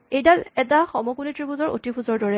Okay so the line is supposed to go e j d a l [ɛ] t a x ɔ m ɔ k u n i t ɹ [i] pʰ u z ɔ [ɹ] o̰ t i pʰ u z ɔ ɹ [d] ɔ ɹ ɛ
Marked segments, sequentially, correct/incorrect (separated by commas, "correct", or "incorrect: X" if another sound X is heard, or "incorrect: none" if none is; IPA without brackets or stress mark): correct, correct, correct, correct